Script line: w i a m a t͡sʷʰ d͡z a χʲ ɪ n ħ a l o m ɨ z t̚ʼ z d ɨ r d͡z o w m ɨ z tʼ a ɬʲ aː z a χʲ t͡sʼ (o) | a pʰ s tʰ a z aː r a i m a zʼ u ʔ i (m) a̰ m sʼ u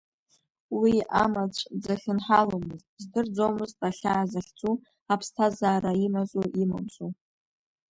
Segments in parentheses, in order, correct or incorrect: incorrect, correct

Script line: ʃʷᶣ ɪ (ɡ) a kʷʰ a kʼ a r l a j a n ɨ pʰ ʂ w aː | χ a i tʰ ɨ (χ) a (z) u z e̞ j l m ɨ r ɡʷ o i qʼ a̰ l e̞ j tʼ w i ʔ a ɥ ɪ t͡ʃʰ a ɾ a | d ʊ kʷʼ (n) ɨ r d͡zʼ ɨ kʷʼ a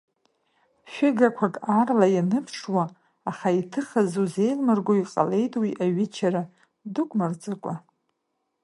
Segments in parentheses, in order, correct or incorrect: correct, correct, correct, incorrect

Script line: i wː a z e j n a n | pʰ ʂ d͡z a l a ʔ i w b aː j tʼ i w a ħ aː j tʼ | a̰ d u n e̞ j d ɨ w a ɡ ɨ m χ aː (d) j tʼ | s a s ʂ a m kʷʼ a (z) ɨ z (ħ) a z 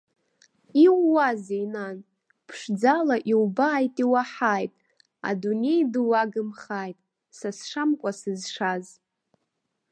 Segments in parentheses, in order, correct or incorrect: incorrect, incorrect, incorrect

